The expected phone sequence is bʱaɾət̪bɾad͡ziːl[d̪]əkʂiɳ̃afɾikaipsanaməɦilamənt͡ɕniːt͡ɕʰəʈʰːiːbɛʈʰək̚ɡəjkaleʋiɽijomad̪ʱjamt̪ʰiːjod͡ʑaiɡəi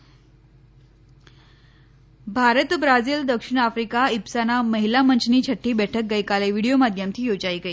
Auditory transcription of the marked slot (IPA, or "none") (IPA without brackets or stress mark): d̪